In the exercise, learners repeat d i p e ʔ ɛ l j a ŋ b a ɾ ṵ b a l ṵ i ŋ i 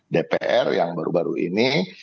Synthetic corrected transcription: d e p e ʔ ɛ r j a ŋ b a ɾ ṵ b a ɾ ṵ i n i